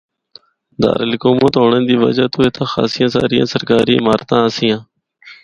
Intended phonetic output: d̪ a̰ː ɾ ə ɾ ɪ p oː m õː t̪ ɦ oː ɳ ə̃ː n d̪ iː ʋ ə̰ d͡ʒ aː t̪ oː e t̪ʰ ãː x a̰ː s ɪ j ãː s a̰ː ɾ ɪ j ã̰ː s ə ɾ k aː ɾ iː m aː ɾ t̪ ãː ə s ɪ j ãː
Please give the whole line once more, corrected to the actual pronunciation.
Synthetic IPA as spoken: d̪ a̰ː ɾ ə l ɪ k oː m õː t̪ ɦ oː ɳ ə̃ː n d̪ iː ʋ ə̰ d͡ʒ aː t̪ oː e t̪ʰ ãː x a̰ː s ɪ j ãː s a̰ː ɾ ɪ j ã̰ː s ə ɾ k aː ɾ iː m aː ɾ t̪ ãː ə s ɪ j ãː